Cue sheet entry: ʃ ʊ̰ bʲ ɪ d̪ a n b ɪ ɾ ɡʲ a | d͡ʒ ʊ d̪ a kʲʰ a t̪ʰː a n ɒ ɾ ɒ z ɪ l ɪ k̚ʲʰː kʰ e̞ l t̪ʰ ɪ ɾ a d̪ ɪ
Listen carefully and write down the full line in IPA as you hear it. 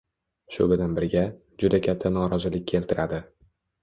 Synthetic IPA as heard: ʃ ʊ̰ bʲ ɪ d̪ a n b ɪ ɾ ɡʲ a | d͡ʒ ʊ d̪ a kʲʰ a t̪ʰː a n ɒ ɾ ɒ z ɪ l ɪ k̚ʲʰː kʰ e̞ l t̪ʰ ɪ ɾ a d̪ ɪ